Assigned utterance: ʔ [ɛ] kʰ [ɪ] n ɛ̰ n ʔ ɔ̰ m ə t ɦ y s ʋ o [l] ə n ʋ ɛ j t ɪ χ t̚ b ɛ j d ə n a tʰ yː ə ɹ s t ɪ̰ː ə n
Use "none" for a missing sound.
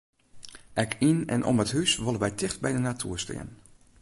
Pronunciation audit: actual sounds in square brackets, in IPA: ɛ, i, l

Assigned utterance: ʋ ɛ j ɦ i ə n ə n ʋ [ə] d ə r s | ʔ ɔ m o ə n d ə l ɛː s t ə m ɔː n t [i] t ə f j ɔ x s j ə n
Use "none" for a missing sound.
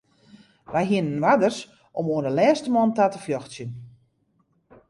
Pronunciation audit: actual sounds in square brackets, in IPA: a, a

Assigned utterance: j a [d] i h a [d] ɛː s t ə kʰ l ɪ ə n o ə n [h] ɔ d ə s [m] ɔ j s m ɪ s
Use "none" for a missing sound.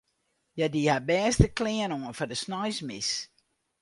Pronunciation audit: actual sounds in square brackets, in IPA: d, b, f, n

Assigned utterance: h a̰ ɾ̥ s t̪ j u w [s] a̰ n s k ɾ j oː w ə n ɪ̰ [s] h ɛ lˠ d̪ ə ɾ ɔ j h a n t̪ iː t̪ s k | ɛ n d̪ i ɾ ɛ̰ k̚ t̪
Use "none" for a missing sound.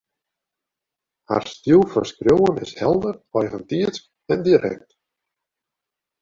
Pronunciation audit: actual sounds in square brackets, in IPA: f, s

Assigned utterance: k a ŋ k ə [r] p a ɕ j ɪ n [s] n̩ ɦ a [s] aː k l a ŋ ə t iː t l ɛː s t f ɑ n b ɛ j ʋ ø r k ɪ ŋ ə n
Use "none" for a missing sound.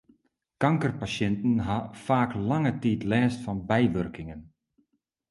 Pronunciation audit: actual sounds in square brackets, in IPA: r, t, f

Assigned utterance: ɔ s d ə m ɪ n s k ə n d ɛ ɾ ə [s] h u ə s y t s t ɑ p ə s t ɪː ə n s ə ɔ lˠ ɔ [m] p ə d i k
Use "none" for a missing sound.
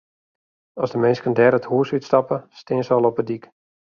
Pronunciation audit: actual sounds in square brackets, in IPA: t, none

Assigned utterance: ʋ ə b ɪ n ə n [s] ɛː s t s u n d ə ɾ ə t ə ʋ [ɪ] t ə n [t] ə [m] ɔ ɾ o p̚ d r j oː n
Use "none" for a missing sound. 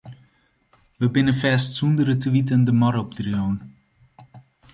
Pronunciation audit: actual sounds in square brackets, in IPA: f, i, d, m

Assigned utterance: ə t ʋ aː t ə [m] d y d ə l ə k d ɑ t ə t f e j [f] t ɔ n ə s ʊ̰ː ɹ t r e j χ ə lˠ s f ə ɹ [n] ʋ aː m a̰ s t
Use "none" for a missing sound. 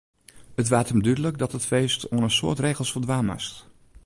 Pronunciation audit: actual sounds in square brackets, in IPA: m, s, d

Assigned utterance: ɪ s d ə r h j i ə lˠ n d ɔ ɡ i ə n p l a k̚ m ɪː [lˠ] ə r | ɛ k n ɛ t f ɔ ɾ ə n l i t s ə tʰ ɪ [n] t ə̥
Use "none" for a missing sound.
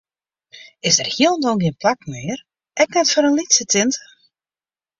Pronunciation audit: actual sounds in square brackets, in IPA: none, n

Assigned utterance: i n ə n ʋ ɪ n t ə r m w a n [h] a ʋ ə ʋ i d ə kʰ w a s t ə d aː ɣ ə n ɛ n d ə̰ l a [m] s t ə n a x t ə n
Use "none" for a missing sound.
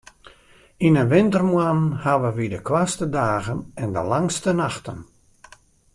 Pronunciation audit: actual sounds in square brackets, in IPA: h, ŋ

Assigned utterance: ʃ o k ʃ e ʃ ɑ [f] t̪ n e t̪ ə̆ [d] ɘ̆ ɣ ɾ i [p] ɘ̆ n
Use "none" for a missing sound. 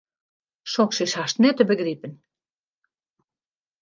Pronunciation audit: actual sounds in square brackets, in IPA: ʃ, b, p

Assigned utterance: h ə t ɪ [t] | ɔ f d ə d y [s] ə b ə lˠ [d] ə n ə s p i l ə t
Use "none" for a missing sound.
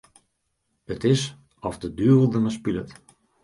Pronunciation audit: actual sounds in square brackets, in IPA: s, none, d

